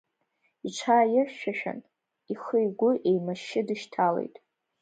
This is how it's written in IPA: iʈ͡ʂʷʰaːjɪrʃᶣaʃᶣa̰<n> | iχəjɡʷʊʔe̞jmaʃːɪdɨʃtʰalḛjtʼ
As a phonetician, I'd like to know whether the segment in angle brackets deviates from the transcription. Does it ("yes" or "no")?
no